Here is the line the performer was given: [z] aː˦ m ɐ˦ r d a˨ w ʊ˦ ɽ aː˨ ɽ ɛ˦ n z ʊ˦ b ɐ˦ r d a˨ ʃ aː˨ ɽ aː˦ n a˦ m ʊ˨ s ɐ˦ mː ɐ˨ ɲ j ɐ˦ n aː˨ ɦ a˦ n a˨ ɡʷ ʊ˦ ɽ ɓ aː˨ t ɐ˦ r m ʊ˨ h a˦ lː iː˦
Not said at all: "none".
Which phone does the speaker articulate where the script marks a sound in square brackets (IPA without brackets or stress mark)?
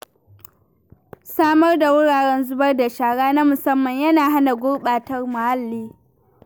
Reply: s